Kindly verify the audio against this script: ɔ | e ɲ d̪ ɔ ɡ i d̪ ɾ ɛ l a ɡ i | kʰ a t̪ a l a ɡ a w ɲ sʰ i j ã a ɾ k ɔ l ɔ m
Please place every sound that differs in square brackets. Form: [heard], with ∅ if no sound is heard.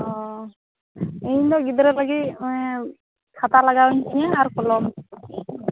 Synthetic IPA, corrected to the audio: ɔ | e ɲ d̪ ɔ ɡ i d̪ ɾ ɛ l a ɡ i | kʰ a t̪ a l a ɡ a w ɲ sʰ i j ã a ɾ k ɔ l ɔ m